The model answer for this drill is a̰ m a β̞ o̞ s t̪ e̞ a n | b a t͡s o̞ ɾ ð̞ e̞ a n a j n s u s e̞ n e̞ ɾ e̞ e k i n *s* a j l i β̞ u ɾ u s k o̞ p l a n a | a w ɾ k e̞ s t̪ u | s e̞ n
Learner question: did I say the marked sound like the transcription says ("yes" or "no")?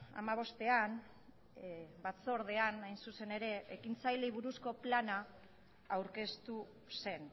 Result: no